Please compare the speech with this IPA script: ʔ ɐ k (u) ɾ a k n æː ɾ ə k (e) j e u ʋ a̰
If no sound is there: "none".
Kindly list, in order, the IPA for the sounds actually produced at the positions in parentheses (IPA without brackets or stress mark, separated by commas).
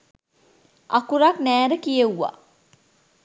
u, i